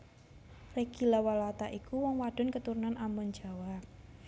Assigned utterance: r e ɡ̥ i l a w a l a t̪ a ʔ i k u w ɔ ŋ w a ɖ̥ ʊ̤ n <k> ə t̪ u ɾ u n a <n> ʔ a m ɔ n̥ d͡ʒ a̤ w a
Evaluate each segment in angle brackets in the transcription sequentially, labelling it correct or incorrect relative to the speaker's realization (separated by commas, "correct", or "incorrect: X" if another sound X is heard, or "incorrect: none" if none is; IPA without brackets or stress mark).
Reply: correct, correct